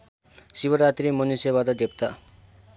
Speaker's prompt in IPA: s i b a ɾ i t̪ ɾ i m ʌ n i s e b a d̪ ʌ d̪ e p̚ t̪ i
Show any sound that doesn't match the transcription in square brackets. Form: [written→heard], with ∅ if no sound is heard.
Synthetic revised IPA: s i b [a→ʌ] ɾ [i→a] t̪ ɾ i m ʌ n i s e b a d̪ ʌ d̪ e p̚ t̪ [i→a]